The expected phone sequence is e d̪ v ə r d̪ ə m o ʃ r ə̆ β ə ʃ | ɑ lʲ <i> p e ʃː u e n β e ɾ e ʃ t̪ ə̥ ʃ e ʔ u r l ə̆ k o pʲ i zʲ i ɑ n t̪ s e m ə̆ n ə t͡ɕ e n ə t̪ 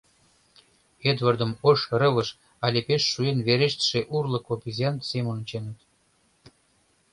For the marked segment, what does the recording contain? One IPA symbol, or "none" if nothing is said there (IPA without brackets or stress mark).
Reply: e